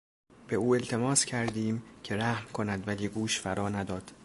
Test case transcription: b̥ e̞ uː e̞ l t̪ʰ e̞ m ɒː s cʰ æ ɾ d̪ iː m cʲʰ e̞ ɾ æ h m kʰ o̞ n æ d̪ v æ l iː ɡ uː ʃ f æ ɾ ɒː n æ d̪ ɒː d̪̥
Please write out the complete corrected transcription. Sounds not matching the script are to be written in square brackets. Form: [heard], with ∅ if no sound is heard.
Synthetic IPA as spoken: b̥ e̞ uː e̞ l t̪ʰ e̞ m ɒː s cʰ æ ɾ d̪ iː m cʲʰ e̞ ɾ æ h m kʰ o̞ n æ d̪ v æ l iː ɡ uː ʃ f æ ɾ ɒː n æ d̪ ɒː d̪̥

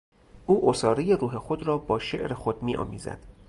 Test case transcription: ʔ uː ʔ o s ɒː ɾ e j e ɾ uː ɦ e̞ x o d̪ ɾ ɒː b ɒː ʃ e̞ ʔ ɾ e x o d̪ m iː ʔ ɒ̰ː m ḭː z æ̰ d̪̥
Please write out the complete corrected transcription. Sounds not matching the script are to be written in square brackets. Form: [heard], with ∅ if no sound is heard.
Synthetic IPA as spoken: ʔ uː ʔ o s ɒː ɾ e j e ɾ uː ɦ e̞ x o d̪ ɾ ɒː b ɒː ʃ e̞ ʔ ɾ e x o d̪ m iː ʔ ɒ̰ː m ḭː z æ̰ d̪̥

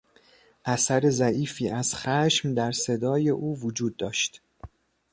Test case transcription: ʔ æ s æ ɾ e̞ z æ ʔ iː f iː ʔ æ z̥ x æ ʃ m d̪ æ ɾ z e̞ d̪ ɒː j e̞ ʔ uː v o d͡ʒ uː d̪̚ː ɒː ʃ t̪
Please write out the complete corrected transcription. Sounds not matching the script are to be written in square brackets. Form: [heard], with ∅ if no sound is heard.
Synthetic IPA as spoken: ʔ æ s æ ɾ e̞ z æ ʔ iː f iː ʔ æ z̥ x æ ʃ m d̪ æ ɾ [s] e̞ d̪ ɒː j e̞ ʔ uː v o d͡ʒ uː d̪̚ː ɒː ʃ t̪

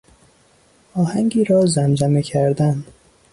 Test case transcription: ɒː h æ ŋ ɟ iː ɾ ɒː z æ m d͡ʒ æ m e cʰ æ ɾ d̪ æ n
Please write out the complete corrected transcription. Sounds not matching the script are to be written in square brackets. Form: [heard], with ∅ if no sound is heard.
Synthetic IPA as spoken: ɒː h æ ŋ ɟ iː ɾ ɒː z æ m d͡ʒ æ m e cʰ æ ɾ d̪ æ n

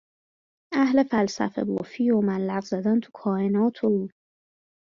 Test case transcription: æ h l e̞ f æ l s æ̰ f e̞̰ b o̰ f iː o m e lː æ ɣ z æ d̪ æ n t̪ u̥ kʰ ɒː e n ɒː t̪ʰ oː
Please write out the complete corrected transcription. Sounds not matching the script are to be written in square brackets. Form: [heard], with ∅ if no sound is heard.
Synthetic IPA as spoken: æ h l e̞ f æ l s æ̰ f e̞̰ b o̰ f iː o m [æ] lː æ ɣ z æ d̪ æ n [t̪ʰ] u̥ kʰ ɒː e n ɒː t̪ʰ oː

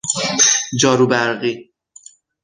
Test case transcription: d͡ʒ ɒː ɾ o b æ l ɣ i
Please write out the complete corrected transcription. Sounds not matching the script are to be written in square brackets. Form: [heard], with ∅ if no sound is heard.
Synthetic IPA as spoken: d͡ʒ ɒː ɾ [u] b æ [ɾ] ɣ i

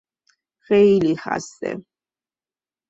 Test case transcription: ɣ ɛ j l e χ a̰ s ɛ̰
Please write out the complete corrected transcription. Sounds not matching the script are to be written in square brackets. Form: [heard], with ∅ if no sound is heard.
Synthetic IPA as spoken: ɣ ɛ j l [i] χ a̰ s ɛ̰

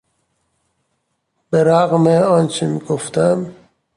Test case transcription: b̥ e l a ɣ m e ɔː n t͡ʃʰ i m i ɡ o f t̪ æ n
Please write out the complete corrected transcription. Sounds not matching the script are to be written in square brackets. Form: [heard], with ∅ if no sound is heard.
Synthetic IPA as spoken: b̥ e [ɾ] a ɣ m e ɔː n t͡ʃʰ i m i ɡ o f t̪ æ [m]

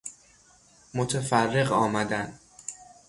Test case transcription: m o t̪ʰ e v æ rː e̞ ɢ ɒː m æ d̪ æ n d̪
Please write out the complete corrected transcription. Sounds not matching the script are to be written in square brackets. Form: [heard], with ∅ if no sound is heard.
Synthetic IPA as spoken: m o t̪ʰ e [f] æ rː e̞ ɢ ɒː m æ d̪ æ n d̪

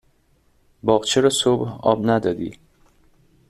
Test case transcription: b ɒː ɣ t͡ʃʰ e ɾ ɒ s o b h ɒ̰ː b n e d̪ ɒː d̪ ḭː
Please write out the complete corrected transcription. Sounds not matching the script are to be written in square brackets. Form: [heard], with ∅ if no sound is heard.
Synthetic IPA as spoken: b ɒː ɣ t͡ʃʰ e ɾ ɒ s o b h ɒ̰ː b n [æ] d̪ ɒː d̪ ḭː

